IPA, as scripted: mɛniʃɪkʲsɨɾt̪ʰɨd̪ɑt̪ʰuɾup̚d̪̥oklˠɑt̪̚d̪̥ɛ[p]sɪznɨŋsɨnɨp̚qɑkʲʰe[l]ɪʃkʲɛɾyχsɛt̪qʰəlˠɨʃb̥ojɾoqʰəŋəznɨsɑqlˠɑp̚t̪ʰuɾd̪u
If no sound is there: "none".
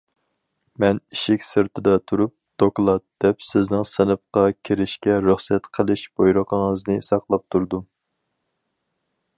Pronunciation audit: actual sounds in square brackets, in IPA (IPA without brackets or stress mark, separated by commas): p, ɾ